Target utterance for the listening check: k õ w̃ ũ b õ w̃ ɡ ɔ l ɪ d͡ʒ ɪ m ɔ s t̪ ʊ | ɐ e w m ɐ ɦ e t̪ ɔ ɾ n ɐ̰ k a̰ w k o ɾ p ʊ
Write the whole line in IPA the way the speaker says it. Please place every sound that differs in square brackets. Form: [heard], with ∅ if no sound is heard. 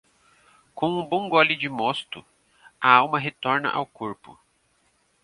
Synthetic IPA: k õ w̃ ũ b õ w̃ ɡ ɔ l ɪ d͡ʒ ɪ m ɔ s t̪ ʊ | ɐ [a] w m ɐ ɦ e t̪ ɔ ɾ n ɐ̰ [ʔ] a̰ w k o ɾ p ʊ